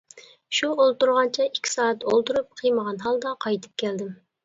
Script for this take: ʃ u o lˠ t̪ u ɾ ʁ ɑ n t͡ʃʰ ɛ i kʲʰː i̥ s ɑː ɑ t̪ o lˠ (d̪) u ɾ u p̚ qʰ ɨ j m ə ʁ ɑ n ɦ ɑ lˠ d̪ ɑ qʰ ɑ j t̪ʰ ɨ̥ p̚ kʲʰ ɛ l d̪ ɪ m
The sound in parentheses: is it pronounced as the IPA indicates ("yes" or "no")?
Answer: no